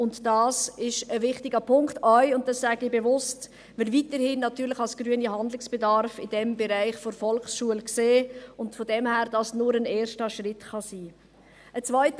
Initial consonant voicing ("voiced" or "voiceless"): voiced